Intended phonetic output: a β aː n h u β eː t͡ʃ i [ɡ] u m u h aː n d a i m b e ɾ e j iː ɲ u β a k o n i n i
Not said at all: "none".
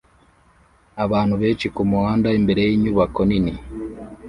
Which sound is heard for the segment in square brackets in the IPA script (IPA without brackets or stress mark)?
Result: k